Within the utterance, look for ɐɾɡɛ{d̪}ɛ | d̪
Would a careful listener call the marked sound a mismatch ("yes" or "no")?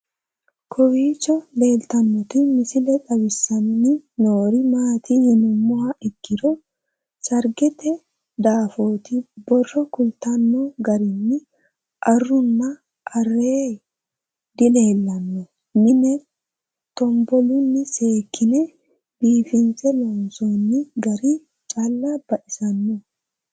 yes